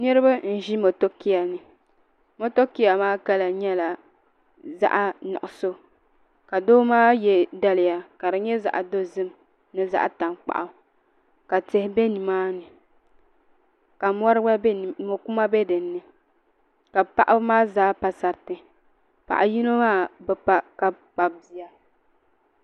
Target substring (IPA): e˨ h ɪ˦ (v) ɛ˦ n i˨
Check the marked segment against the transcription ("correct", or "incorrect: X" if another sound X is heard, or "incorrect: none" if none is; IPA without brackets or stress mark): incorrect: b